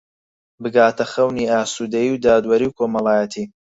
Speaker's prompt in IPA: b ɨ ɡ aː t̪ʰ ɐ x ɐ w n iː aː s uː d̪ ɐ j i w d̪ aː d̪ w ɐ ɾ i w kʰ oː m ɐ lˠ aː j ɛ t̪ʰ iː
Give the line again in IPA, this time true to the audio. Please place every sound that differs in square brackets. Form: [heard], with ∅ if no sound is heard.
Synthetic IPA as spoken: b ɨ ɡ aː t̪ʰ ɐ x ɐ w n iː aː s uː d̪ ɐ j i w d̪ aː d̪ w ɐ ɾ i w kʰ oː m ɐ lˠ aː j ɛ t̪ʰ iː